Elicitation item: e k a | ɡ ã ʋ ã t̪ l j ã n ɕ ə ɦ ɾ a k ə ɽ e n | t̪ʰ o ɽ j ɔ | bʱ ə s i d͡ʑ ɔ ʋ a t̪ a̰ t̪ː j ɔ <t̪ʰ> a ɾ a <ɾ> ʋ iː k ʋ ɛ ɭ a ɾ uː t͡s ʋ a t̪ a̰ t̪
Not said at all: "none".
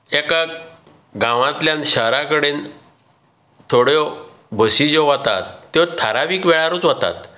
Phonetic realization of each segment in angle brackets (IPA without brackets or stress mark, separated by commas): t̪ʰ, none